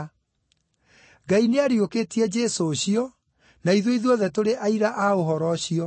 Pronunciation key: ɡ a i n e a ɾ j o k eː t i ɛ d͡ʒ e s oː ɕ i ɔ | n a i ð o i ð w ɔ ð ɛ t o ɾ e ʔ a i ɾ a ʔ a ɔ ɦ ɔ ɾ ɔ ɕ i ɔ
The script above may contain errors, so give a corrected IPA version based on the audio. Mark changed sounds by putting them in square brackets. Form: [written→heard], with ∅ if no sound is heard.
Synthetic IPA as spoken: ɡ a i n e a ɾ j o k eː t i ɛ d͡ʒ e s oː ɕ i ɔ | n a i ð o i ð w ɔ ð ɛ t o ɾ e ʔ a i ɾ a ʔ a [ɔ→o] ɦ ɔ ɾ ɔ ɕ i ɔ